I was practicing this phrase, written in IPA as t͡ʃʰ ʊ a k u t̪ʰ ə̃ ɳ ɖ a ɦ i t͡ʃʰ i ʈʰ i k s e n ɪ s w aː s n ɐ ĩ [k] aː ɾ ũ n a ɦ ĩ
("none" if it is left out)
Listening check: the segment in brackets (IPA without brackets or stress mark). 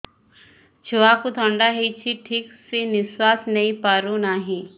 p